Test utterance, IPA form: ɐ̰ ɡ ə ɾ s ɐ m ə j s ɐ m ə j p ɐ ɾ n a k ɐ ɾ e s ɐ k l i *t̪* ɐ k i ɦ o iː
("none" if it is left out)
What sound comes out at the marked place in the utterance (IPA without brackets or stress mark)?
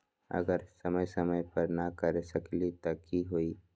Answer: t̪